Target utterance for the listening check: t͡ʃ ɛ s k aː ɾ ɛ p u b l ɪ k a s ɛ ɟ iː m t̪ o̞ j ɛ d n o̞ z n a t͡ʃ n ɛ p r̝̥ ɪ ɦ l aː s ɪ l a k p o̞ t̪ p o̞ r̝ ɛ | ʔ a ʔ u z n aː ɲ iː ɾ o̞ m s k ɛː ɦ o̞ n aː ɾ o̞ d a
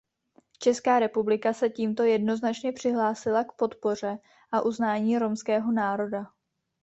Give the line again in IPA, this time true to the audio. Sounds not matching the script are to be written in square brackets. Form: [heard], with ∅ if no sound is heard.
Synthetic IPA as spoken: t͡ʃ ɛ s k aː ɾ ɛ p u b l ɪ k a s ɛ [c] iː m t̪ o̞ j ɛ d n o̞ z n a t͡ʃ [ɲ] ɛ p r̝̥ ɪ ɦ l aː s ɪ l a k p o̞ t̪ p o̞ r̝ ɛ | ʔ a ʔ u z n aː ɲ iː ɾ o̞ m s k ɛː ɦ o̞ n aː ɾ o̞ d a